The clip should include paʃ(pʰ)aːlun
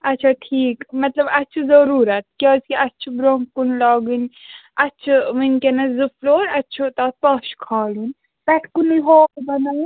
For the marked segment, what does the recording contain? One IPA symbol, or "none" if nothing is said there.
kʰ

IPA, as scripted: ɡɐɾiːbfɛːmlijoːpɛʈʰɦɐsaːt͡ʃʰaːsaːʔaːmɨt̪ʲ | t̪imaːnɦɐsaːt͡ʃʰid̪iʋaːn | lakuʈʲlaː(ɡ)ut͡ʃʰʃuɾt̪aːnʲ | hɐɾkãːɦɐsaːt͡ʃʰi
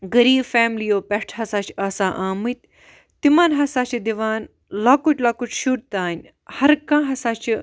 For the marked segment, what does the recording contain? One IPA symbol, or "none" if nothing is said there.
k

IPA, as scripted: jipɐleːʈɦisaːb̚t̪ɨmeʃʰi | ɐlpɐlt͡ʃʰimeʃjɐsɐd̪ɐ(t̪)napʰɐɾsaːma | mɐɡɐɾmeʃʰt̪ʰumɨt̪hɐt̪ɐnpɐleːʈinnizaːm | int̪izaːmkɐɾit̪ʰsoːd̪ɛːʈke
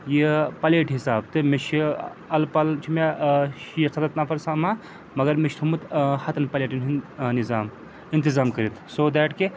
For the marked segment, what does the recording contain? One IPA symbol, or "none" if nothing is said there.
t̪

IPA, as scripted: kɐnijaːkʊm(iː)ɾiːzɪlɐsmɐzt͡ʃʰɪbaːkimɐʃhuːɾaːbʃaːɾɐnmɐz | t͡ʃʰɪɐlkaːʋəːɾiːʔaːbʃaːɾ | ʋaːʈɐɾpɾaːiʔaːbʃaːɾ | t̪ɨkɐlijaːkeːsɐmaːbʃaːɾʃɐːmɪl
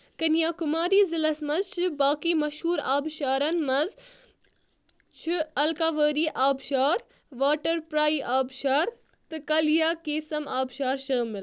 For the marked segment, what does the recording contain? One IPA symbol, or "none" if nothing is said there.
aː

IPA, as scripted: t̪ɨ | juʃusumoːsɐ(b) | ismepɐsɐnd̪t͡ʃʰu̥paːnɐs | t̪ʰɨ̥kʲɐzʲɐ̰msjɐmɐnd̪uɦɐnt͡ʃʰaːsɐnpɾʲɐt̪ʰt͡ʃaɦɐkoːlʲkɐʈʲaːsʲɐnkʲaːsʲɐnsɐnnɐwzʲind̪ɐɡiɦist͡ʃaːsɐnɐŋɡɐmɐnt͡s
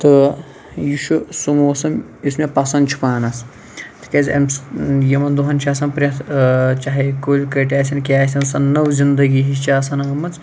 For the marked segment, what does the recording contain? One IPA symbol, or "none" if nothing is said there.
m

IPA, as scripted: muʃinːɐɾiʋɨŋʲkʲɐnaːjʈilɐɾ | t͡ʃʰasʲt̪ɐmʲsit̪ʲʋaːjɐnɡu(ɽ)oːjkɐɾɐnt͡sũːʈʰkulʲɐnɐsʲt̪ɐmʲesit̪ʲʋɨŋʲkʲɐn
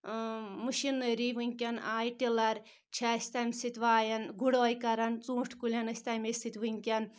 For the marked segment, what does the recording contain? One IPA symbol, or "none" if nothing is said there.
ɽ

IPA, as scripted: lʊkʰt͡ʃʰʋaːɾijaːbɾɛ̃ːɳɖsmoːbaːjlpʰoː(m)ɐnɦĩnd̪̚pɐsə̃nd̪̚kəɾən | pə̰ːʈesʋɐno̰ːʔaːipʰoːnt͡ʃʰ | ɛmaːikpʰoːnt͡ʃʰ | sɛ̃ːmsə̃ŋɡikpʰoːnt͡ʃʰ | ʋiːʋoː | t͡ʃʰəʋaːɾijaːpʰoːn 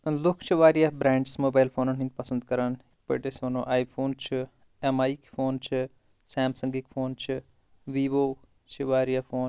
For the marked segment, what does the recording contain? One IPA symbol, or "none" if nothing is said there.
n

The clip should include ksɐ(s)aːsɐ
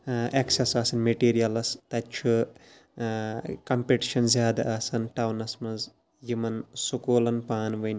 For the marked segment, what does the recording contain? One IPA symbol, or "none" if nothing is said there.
s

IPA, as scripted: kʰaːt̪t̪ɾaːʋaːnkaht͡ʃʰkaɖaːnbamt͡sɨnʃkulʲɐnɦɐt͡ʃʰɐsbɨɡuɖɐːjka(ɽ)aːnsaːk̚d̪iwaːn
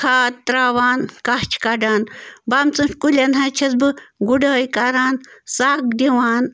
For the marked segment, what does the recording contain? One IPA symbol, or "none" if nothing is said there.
ɾ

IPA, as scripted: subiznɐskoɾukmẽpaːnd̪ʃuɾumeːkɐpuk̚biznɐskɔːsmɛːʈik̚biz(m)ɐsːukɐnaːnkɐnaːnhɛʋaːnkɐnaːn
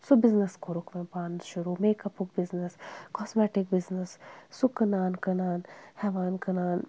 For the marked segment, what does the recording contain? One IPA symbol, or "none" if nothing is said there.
n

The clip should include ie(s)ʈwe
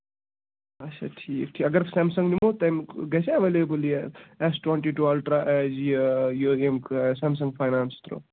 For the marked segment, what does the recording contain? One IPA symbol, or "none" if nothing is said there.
s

